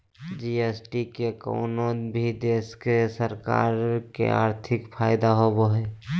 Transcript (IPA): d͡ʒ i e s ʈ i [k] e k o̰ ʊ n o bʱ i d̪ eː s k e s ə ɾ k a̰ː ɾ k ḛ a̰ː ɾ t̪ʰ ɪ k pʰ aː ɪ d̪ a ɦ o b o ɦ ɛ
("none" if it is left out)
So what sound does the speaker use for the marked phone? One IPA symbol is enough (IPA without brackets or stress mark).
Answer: k